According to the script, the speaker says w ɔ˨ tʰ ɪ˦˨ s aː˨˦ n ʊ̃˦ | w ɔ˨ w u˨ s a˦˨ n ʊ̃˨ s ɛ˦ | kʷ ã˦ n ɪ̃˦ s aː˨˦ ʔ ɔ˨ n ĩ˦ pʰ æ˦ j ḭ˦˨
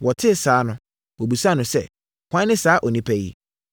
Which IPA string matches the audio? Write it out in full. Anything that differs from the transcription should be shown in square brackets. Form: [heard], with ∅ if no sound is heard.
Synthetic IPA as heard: w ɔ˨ tʰ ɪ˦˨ s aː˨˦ n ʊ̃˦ | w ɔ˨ [b] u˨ s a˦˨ n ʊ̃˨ s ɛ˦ | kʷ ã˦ n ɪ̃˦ s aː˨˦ ʔ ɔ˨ n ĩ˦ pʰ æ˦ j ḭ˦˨